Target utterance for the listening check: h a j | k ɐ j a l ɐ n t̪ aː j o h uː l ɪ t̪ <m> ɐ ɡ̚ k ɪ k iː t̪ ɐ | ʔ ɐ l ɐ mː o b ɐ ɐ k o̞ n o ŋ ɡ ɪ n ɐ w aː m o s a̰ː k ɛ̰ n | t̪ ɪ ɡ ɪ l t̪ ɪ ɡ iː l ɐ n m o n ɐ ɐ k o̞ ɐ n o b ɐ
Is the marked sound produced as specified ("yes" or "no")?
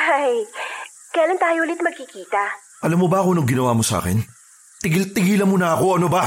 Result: yes